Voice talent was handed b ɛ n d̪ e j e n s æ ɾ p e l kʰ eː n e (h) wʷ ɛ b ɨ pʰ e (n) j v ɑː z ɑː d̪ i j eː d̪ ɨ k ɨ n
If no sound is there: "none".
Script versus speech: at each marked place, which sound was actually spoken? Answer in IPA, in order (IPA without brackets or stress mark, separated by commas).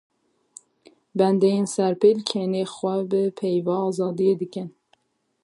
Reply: x, none